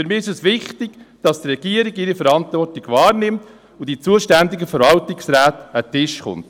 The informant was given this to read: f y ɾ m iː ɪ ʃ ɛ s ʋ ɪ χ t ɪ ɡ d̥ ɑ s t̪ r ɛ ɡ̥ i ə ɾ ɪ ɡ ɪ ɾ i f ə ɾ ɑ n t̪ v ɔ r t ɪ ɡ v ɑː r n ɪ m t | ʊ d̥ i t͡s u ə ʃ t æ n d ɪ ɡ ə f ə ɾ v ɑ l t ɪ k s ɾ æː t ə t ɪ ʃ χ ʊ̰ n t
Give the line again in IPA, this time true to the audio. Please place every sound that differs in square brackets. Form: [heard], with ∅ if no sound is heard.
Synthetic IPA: f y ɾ m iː ɪ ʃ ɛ s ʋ ɪ χ t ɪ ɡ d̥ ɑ s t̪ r ɛ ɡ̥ i ə ɾ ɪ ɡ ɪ ɾ i f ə ɾ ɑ n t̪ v ɔ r t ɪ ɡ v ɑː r n ɪ m t | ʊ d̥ i t͡s u ə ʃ t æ n d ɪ ɡ ə f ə ɾ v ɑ l t ɪ k s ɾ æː t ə t ɪ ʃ χ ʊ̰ n t